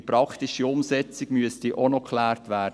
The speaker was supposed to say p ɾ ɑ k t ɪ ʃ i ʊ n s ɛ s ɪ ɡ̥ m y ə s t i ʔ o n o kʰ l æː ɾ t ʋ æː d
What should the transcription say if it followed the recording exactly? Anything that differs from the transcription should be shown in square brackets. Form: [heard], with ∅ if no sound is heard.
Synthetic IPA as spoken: p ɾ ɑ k t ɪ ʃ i ʊ [m] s ɛ [t͡s] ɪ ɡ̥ m y ə s t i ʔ o n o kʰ l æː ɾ t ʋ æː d

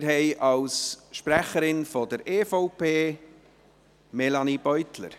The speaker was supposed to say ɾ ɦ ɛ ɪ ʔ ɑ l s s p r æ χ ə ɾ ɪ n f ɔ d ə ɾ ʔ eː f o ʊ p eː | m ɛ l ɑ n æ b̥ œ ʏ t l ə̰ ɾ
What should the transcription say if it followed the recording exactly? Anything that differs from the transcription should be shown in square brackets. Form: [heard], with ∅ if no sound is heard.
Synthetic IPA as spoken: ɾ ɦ ɛ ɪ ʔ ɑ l s [ʃ] p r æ χ ə ɾ ɪ n f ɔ d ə ɾ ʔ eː f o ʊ p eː | m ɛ l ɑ n [i] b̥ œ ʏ t l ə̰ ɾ

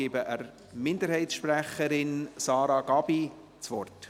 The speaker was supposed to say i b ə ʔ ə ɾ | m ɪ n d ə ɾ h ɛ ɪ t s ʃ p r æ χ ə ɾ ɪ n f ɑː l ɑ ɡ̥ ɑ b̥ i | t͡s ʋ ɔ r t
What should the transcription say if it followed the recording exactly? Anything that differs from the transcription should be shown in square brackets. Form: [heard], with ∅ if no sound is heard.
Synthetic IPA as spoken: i b ə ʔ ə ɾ | m ɪ n d ə ɾ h ɛ ɪ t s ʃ p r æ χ ə ɾ ɪ n [s] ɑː [ɾ] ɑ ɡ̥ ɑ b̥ i | t͡s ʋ ɔ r t

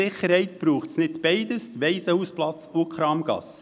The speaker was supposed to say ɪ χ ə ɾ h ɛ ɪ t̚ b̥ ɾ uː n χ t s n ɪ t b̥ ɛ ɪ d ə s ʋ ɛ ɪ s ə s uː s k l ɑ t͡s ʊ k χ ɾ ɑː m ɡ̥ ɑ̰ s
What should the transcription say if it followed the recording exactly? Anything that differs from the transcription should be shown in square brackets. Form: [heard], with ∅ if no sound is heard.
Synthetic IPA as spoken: ɪ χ ə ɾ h ɛ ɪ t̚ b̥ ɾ uː [∅] χ t s n ɪ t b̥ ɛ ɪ d ə s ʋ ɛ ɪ s ə [h] uː s [p] l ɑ t͡s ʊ k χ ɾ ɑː m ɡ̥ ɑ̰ s

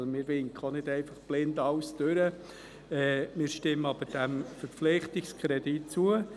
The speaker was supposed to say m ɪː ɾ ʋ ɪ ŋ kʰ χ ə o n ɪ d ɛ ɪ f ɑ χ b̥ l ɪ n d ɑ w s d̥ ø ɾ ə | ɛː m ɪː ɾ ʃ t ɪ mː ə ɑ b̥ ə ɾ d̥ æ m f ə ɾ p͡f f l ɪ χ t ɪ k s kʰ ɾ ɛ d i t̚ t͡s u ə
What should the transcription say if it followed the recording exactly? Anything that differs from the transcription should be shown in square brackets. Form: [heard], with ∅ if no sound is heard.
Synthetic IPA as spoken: m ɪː ɾ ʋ ɪ ŋ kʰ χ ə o n ɪ d ɛ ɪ f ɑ χ b̥ l ɪ n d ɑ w s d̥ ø ɾ ə | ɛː m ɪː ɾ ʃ t ɪ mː ə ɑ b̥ ə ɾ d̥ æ m f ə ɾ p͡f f l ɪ χ t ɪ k s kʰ ɾ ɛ d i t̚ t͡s u ə

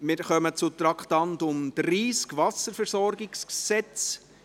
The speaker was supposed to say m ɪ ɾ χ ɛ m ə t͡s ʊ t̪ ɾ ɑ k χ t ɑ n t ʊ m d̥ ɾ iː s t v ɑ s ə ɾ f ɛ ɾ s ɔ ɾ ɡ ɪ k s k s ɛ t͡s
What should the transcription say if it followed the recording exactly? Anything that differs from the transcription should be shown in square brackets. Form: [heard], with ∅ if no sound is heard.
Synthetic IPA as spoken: m ɪ ɾ χ [œ] m ə t͡s ʊ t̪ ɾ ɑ k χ t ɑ n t ʊ m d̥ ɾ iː s [k] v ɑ s ə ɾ f ɛ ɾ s ɔ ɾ ɡ ɪ k s k s ɛ t͡s

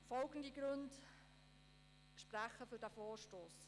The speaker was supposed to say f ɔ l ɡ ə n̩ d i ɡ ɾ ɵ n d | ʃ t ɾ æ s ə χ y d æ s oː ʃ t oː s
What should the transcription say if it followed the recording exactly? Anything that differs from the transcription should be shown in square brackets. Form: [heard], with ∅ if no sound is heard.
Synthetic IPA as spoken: f ɔ l ɡ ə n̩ d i ɡ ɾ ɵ n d | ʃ [p] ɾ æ [χ] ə [f] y d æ [f] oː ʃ t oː s

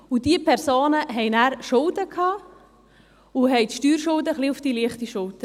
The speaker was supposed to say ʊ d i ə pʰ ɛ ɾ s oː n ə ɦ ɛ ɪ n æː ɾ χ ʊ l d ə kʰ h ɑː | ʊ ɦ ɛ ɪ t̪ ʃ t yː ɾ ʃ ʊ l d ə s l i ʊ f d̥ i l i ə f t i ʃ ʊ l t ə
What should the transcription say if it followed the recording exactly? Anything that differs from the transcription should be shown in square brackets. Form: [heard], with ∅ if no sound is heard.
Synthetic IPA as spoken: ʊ d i ə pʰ ɛ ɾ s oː n ə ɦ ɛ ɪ n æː ɾ [ʃ] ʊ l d ə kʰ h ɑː | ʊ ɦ ɛ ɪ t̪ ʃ t yː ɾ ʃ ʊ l d ə [χ] l i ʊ f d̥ i l i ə [χ] t i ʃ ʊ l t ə

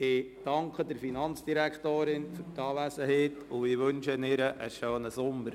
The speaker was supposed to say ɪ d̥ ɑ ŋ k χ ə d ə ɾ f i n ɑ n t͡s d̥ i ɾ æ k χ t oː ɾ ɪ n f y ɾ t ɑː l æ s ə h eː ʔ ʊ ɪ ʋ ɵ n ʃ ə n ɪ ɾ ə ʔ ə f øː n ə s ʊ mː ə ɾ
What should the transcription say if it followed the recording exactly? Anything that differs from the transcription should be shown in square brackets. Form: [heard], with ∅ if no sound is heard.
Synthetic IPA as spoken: ɪ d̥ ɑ ŋ k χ ə d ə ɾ f i n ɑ n t͡s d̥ i ɾ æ k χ t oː ɾ ɪ n f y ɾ t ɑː l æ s ə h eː [t] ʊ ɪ ʋ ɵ n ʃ ə n ɪ ɾ ə ʔ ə [ʃ] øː n ə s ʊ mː ə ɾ

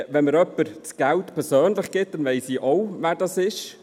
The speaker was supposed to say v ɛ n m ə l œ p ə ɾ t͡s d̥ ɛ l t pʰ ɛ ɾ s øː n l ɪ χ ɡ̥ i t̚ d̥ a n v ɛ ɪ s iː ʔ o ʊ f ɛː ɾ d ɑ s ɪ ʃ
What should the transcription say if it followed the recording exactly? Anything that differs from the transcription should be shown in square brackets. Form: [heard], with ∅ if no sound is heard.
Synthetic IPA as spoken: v ɛ n m ə [ɾ] œ p ə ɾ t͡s [ɡ̥] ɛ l t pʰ ɛ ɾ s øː n l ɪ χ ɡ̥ [ɪ] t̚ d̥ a n v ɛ ɪ s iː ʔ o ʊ [v] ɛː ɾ d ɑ s ɪ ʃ

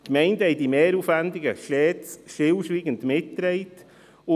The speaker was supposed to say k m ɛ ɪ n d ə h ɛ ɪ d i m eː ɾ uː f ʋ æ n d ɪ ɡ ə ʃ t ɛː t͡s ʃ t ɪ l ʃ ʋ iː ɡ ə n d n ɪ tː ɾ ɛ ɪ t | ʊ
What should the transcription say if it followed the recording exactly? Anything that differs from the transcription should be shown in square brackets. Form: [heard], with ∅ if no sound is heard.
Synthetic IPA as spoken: k m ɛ ɪ n d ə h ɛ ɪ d i m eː ɾ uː f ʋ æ n d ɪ ɡ ə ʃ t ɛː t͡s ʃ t ɪ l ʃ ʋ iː ɡ ə n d [m] ɪ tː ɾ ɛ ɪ t | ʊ

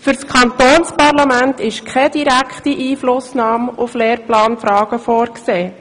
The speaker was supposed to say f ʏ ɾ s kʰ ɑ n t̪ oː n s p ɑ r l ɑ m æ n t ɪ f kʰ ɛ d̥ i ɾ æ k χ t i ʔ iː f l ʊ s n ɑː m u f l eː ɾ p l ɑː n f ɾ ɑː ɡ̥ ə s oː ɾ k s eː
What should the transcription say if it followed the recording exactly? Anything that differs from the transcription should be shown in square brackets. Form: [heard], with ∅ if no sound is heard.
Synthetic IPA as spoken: f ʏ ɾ s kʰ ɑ n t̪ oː n s p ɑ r l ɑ m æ n t ɪ [ʃ] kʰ ɛ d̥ i ɾ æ k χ t i ʔ iː f l ʊ s n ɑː m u f l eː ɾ p l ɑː n f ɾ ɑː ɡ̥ ə [f] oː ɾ k s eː

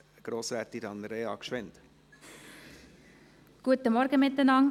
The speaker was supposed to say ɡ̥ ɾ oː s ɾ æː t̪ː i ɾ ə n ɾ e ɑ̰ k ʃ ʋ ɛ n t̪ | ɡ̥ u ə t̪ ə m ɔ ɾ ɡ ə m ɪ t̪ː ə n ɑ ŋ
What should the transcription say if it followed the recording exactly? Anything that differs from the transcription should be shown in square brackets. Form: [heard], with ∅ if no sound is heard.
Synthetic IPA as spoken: ɡ̥ ɾ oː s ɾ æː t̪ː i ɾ [ɑ] n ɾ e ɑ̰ k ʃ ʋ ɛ n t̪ | ɡ̥ u ə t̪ ə m ɔ ɾ ɡ ə m ɪ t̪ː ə n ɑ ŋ

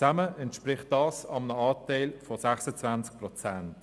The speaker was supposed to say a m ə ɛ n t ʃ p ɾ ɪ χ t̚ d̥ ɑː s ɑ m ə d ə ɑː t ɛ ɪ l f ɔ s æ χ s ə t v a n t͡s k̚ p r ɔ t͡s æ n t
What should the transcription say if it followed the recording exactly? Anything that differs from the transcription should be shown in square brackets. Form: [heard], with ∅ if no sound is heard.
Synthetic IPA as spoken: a m ə ɛ n t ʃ p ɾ ɪ χ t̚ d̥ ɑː s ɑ m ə [n] ə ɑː t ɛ ɪ l f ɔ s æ χ s ə [t͡s] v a n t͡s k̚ p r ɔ t͡s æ n t

